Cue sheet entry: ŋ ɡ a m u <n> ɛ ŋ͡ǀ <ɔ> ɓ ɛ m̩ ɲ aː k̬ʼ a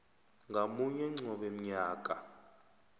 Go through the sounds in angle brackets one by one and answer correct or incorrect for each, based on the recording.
incorrect: ɲ, correct

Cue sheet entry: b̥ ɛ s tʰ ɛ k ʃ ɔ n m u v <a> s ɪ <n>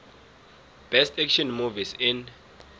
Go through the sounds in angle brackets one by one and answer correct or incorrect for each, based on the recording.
incorrect: i, correct

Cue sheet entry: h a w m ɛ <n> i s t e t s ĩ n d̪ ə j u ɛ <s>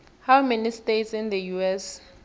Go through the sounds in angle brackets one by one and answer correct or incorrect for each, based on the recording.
correct, correct

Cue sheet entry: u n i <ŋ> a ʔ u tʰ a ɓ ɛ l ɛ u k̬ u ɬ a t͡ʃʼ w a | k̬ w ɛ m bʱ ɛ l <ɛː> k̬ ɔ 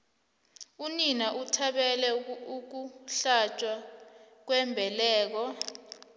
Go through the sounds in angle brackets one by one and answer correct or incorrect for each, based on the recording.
incorrect: n, correct

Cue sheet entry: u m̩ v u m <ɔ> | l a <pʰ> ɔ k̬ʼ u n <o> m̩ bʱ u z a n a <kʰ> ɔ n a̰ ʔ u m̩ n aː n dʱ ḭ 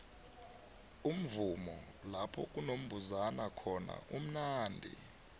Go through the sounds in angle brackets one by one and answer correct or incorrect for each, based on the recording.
correct, correct, correct, correct

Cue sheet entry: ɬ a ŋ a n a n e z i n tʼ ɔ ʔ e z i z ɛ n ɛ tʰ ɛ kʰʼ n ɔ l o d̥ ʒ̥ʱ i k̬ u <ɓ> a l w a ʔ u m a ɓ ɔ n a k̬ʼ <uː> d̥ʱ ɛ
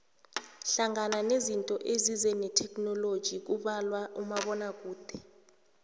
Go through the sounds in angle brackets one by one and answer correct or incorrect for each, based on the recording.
correct, correct

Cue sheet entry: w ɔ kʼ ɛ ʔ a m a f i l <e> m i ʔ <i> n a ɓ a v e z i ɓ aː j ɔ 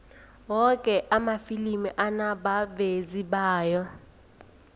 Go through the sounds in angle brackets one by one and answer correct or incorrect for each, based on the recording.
incorrect: i, incorrect: a

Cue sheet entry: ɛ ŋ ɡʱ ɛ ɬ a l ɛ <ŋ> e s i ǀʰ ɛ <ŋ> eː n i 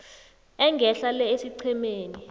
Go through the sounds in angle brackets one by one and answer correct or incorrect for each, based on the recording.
incorrect: none, incorrect: m

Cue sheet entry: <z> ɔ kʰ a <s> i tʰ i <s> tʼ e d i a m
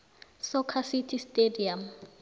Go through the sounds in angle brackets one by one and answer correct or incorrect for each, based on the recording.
incorrect: s, correct, correct

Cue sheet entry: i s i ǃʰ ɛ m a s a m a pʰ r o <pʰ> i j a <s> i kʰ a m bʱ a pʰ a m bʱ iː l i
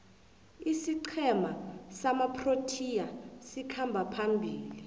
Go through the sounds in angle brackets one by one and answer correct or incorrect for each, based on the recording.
incorrect: tʰ, correct

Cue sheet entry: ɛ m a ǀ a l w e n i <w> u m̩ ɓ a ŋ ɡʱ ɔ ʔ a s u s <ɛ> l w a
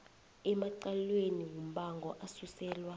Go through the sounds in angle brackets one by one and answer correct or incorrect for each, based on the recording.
correct, incorrect: ɛː

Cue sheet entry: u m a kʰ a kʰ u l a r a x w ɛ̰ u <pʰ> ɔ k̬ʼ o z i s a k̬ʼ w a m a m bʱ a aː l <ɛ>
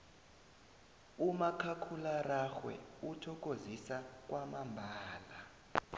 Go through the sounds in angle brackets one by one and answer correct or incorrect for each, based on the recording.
incorrect: tʰ, incorrect: a

